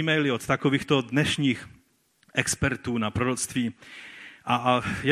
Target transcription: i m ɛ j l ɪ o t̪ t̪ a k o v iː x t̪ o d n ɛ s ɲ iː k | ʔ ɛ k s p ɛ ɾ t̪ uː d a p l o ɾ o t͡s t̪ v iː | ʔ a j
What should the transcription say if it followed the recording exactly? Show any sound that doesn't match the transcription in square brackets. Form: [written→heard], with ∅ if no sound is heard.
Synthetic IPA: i m ɛ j l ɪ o t̪ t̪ a k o v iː x t̪ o d n ɛ [s→ʃ] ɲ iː [k→x] | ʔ ɛ k s p ɛ ɾ t̪ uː [d→n] a p [l→ɾ] o ɾ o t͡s t̪ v iː | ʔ a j